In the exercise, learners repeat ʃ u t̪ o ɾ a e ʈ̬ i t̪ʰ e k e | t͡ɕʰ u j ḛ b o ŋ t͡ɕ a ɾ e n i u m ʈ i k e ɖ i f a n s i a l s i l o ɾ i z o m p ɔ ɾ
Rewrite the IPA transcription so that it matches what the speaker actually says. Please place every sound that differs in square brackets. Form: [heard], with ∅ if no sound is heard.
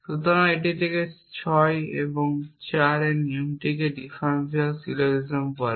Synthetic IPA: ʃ u t̪ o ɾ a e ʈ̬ i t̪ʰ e k e | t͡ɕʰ [ɔ] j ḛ b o ŋ t͡ɕ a ɾ e n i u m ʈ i k e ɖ i f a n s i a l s i l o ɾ i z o m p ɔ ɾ